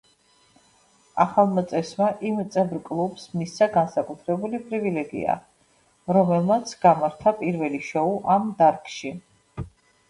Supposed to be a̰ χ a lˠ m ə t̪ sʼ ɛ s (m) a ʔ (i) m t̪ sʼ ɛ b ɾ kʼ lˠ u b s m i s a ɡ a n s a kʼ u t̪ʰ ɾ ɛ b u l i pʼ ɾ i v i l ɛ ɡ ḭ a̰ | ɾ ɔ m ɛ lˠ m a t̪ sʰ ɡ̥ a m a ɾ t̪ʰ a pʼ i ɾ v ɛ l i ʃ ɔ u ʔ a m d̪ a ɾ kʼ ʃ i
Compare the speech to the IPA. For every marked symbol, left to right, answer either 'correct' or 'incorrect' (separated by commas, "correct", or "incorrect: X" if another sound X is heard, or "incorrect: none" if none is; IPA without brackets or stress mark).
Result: correct, correct